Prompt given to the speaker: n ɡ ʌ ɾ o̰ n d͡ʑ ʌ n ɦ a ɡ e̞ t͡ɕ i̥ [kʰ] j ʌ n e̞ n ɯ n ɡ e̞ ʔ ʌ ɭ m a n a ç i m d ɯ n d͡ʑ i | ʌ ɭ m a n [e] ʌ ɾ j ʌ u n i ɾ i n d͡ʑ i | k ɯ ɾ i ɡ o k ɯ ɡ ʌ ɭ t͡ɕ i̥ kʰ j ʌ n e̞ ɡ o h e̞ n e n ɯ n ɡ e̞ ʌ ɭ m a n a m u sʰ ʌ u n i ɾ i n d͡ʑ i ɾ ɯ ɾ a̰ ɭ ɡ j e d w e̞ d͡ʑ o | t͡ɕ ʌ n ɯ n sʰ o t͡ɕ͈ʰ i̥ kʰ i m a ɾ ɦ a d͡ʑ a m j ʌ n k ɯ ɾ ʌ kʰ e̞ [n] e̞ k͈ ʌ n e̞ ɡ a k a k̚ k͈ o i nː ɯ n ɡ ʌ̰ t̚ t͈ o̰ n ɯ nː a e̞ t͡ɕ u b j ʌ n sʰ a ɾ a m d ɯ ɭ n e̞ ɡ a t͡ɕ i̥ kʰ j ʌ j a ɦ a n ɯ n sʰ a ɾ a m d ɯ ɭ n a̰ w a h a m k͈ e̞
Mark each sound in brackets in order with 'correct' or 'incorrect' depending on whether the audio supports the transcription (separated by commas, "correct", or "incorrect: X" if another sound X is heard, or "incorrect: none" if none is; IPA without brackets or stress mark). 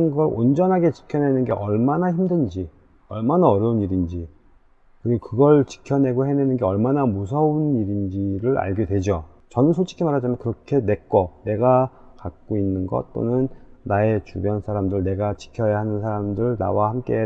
correct, incorrect: a, correct